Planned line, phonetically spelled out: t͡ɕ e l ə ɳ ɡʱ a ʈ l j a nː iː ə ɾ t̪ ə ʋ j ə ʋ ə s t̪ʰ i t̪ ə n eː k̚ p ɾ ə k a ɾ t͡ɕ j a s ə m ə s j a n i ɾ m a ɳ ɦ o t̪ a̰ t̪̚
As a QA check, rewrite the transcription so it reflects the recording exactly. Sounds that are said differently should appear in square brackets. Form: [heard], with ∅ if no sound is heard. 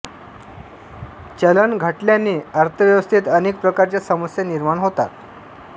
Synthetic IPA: t͡ɕ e l ə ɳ ɡʱ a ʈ l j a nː iː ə ɾ [t̪ʰ] ə ʋ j ə ʋ ə s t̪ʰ i t̪ ə n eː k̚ p ɾ ə k a ɾ t͡ɕ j a s ə m ə s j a n i ɾ m a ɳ ɦ o t̪ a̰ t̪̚